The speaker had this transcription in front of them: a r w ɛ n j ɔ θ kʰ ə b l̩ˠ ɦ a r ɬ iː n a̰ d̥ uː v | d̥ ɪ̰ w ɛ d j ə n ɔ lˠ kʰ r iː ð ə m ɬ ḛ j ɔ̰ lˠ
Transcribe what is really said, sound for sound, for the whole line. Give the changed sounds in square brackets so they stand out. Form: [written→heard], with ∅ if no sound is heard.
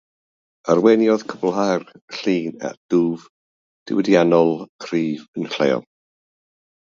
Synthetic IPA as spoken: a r w ɛ n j ɔ [θ→ð] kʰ ə b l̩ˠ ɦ a r ɬ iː n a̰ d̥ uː v | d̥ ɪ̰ w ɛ d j [ə→a] n ɔ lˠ kʰ r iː [ð→v] ə [m→n] ɬ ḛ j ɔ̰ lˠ